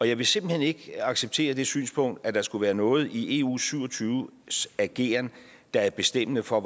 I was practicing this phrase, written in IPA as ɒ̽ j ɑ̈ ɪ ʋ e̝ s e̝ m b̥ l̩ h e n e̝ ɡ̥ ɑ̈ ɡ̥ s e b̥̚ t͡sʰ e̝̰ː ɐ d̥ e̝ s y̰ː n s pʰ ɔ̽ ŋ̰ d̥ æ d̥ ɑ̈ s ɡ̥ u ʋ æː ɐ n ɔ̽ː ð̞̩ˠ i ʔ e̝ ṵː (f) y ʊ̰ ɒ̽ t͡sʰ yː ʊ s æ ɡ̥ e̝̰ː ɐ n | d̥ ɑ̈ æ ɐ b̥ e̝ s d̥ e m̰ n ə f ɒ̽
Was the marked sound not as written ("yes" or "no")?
yes